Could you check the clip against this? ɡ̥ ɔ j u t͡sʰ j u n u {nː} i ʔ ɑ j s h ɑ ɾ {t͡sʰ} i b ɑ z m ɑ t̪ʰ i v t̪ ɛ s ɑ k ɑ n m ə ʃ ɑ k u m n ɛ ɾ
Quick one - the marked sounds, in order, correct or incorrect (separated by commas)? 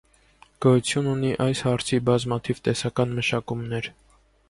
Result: incorrect, correct